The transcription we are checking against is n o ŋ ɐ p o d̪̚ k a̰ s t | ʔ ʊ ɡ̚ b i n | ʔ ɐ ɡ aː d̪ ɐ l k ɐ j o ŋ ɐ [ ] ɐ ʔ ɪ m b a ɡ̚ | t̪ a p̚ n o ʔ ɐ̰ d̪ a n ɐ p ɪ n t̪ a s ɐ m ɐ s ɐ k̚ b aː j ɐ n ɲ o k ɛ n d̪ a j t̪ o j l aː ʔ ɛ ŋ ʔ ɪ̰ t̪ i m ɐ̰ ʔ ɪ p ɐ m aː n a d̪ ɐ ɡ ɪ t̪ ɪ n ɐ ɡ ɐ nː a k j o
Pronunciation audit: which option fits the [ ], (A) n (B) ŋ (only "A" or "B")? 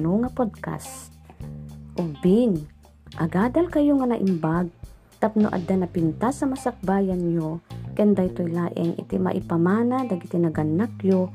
A